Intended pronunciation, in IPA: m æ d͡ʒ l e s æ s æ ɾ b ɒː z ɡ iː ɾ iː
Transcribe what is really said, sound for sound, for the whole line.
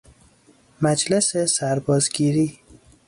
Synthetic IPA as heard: m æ d͡ʒ l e s e s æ ɾ b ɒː z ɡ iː ɾ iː